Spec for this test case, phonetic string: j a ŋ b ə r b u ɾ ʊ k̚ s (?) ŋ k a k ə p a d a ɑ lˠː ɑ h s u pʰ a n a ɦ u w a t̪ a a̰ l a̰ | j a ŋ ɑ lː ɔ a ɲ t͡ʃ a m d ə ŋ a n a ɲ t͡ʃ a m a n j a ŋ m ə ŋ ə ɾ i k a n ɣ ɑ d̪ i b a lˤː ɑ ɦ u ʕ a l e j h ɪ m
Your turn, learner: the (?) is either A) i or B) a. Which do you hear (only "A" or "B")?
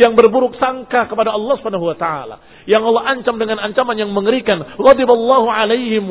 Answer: B